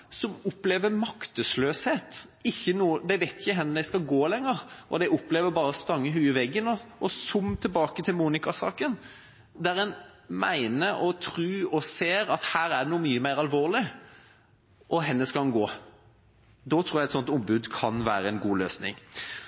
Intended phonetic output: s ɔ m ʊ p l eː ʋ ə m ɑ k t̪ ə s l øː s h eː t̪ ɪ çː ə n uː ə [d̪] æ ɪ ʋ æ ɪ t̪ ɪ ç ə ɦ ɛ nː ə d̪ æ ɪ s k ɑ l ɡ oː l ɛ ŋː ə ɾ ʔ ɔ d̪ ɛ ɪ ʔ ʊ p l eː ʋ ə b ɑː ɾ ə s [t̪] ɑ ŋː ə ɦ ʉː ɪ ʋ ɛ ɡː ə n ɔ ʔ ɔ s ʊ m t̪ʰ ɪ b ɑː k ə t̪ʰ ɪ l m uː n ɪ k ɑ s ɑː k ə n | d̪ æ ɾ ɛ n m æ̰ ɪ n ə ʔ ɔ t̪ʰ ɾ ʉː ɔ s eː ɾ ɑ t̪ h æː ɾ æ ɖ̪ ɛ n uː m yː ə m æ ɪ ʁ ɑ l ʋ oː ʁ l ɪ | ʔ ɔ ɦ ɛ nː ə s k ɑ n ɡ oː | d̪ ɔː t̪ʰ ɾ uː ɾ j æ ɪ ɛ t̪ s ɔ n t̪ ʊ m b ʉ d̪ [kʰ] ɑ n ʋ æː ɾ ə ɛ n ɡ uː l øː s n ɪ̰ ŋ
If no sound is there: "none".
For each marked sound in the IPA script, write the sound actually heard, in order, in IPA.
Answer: d̪, t̪, kʰ

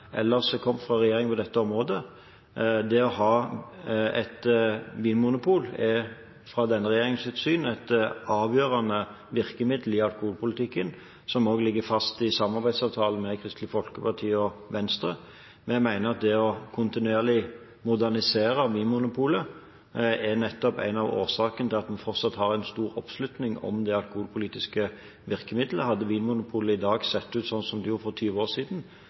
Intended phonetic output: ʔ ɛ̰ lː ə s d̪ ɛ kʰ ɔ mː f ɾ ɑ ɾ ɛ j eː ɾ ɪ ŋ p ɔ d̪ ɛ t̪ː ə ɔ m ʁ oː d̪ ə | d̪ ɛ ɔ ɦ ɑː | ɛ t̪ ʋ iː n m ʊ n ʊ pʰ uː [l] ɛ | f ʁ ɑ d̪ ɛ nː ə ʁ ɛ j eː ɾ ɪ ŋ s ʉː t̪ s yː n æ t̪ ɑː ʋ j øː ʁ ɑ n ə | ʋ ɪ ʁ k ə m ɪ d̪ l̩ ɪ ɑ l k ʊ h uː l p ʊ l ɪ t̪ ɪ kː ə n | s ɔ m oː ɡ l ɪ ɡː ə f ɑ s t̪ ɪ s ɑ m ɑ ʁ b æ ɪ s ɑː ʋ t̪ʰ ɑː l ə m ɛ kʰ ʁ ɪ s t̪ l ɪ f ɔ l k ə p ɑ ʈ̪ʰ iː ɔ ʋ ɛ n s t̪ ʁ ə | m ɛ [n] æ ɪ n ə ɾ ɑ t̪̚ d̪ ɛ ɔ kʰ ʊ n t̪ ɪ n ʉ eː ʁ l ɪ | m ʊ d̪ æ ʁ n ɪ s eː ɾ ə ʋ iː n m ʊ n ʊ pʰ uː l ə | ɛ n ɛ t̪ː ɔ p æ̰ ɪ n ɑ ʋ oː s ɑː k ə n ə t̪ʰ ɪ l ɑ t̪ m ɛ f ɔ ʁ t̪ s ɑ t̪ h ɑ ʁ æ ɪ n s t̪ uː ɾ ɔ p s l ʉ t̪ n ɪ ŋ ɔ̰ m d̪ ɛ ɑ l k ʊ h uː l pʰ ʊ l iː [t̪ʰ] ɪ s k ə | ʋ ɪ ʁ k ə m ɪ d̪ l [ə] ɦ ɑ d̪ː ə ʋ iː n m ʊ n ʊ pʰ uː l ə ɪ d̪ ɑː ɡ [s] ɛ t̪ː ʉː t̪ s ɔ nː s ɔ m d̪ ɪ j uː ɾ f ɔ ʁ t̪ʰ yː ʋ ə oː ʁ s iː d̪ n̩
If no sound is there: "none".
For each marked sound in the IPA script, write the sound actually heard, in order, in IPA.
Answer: l, m, t̪, ə, s

